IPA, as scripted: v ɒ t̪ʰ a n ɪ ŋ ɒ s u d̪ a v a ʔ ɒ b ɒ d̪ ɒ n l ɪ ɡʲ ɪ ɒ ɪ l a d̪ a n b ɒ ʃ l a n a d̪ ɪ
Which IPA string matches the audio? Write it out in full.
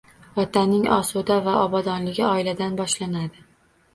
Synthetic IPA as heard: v ɒ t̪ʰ a n ɪ ŋ ɒ s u d̪ a v a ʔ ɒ b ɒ d̪ ɒ n l ɪ ɡʲ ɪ ɒ ɪ l a d̪ a n b ɒ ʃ l a n a d̪ ɪ